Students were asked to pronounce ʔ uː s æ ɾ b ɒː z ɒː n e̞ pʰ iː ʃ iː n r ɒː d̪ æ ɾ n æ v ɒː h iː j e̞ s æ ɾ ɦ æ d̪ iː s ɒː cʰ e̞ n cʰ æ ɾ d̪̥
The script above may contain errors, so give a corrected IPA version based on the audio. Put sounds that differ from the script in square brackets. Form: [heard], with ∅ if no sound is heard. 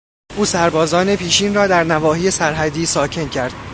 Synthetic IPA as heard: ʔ uː s æ ɾ b ɒː z ɒː n e̞ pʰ iː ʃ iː n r ɒː d̪ æ ɾ n æ v ɒː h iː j e̞ s æ ɾ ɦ æ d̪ iː s ɒː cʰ e̞ n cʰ æ ɾ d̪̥